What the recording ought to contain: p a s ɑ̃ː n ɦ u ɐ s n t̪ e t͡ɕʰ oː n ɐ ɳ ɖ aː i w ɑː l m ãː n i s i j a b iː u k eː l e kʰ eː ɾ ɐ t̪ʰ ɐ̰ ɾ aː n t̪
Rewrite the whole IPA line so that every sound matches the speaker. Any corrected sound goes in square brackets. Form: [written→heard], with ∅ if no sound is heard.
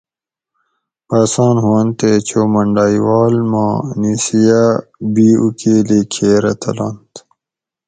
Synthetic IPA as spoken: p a s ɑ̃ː n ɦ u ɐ [s→∅] n t̪ e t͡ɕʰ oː [n→m] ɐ ɳ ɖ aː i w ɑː l m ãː n i s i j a b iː u k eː l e kʰ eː ɾ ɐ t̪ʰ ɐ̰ [ɾ→l] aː n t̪